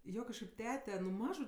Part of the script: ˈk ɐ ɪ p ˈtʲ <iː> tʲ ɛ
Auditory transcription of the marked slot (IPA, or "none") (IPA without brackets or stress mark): æː